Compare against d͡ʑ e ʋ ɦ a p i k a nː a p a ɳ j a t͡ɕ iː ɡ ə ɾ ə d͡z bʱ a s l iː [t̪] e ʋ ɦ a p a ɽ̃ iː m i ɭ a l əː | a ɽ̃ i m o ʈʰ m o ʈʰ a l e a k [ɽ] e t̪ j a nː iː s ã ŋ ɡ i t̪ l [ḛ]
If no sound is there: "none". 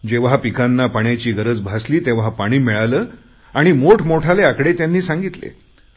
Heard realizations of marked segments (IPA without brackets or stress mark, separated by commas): t̪, ɽ, ḛ